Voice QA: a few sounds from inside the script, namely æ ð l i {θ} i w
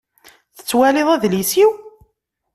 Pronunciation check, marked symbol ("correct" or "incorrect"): incorrect